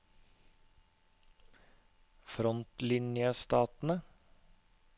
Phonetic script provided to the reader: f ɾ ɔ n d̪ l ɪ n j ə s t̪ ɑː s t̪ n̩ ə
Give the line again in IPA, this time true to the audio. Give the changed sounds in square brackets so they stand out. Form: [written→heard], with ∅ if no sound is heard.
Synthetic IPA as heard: f ɾ ɔ n [d̪→t̪] l ɪ n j ə s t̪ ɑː [s→∅] t̪ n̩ ə